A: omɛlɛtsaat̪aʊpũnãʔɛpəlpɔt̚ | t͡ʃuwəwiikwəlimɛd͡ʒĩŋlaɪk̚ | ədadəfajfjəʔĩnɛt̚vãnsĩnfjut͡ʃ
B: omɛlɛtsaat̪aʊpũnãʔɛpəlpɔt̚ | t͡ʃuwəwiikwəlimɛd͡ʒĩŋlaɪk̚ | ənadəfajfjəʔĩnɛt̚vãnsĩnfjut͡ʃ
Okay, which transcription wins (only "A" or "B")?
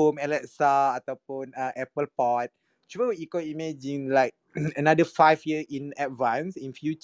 B